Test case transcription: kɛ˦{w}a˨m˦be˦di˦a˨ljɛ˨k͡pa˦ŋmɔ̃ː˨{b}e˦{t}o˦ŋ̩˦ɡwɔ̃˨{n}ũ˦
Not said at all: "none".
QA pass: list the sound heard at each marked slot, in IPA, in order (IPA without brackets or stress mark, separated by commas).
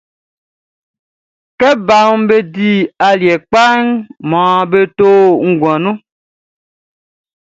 b, b, t, n